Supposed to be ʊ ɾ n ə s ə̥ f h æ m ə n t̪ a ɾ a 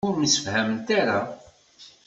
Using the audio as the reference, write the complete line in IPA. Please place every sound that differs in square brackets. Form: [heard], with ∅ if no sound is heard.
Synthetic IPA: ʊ ɾ [m] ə s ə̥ f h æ m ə n t̪ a ɾ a

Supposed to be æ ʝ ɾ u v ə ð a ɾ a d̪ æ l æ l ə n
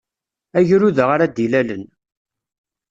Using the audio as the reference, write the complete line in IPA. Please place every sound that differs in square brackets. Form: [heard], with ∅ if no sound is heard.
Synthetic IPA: æ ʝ ɾ u [ð] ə [ʁ] a ɾ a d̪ [i] l æ l ə n

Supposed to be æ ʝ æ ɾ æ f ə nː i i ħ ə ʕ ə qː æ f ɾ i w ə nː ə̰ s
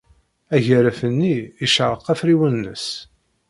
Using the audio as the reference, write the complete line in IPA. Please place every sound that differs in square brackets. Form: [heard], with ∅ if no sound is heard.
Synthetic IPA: æ ʝ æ ɾ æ f ə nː i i [ʃ] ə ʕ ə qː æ f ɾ i w ə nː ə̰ s

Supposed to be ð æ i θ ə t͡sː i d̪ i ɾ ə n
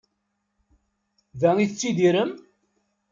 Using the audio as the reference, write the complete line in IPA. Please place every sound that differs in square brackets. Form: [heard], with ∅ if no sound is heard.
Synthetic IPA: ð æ i θ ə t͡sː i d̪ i ɾ ə [m]

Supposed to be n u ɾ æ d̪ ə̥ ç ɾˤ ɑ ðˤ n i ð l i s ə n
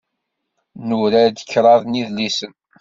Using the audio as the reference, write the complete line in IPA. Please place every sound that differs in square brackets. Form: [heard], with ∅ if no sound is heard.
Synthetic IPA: n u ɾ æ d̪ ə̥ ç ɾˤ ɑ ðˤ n i ð l i s ə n

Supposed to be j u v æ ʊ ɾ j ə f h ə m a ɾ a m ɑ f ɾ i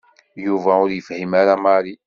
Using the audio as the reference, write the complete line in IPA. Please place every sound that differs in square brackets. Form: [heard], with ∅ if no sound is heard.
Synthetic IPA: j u v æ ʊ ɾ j ə f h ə m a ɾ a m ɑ [∅] ɾ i

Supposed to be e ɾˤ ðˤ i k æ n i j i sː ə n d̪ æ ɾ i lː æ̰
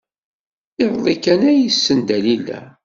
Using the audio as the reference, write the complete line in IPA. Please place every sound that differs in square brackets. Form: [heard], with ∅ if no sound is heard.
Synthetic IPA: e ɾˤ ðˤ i k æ n [æ] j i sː ə n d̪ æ [l] i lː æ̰

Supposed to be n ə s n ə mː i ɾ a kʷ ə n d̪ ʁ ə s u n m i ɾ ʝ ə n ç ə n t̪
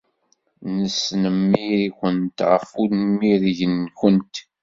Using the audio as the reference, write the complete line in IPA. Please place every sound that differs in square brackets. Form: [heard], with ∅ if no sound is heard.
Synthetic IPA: n ə s n ə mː i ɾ [i] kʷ ə n [t̪] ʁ ə [f] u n m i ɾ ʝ ə n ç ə n t̪

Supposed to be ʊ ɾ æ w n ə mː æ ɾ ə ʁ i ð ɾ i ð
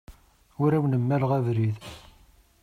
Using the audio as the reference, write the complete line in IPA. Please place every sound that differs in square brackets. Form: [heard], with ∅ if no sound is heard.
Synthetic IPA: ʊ ɾ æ w n ə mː æ [l] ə ʁ [æ] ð ɾ i ð

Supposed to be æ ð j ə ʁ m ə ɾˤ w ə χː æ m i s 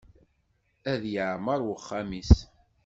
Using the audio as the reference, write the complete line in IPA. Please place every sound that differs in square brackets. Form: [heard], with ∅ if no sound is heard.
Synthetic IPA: æ ð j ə [ʕ] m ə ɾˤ w ə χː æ m i s

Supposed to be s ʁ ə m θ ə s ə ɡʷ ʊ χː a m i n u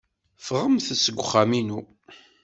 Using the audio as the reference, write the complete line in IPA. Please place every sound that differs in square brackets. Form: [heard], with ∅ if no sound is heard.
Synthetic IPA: [f] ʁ ə m θ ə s ə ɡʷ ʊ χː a m i n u

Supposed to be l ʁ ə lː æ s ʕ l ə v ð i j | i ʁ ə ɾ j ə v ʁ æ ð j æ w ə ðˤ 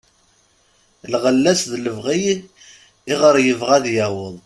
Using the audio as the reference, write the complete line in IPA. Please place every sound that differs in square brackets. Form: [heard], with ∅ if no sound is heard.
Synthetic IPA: l ʁ ə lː æ s [ð] l ə v [ʁ] i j | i ʁ ə ɾ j ə v ʁ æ ð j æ w ə ðˤ

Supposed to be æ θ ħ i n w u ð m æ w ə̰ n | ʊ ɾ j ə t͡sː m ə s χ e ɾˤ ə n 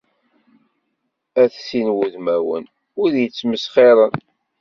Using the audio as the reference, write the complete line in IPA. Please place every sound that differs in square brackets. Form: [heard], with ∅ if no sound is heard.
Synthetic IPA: æ θ [s] i n w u ð m æ w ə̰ n | ʊ ɾ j ə t͡sː m ə s χ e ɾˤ ə n

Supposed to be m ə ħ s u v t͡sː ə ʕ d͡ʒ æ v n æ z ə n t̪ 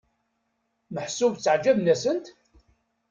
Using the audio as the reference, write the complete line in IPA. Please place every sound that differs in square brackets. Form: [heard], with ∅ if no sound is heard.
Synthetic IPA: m ə ħ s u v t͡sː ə ʕ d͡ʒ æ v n æ [s] ə n t̪

